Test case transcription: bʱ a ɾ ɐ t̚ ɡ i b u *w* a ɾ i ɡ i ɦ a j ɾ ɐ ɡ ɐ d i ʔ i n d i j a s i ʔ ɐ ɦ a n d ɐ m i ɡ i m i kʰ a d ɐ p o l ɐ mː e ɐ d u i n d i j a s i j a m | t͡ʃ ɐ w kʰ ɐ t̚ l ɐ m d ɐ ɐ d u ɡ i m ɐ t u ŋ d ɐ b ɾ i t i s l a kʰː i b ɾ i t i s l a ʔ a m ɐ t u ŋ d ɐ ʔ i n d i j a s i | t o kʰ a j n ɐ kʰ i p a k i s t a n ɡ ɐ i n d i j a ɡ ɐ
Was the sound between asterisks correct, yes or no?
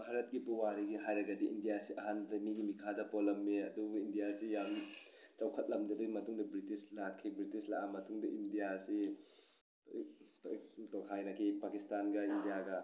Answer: yes